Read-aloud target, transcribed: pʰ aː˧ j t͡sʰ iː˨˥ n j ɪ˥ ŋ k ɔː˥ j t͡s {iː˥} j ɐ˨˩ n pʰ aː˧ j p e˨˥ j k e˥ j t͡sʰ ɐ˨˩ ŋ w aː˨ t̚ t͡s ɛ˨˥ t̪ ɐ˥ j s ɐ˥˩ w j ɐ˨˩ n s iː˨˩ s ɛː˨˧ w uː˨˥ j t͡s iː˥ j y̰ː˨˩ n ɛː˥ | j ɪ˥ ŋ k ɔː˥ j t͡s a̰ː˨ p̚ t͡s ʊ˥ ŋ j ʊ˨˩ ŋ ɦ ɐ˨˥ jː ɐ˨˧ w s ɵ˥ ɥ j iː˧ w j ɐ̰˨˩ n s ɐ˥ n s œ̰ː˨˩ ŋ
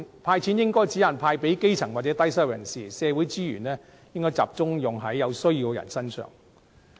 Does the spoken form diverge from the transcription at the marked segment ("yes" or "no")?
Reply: yes